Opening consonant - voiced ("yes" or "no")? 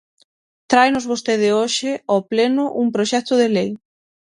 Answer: no